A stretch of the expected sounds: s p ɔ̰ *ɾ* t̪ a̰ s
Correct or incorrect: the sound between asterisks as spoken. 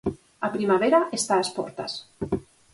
correct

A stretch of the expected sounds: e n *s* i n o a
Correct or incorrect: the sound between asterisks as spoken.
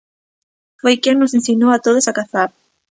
correct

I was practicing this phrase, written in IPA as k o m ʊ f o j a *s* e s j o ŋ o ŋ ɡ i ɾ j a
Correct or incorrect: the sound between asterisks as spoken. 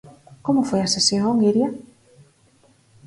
correct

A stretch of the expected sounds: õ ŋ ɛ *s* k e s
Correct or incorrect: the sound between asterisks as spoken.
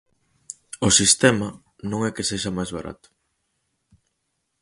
incorrect: none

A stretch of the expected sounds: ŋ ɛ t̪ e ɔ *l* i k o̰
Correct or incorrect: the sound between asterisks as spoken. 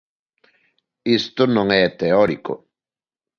incorrect: ɾ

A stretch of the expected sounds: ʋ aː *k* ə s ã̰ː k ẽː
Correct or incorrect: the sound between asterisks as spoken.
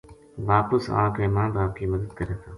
incorrect: p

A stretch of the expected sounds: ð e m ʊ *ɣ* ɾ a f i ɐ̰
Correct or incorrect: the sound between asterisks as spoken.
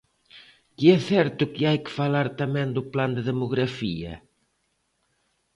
correct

